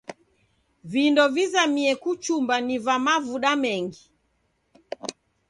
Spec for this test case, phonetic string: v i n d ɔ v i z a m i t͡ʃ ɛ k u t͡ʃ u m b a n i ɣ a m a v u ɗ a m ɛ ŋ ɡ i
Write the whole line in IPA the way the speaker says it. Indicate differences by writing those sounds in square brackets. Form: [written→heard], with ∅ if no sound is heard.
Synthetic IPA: v i n d ɔ v i z a m i [t͡ʃ→∅] ɛ k u t͡ʃ u m b a n i [ɣ→v] a m a v u ɗ a m ɛ ŋ ɡ i